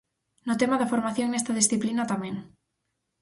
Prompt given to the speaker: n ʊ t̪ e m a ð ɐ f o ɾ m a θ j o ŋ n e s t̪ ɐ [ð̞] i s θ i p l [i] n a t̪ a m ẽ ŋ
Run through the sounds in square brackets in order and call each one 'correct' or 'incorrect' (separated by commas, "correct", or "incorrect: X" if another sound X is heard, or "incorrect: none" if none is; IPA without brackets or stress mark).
correct, correct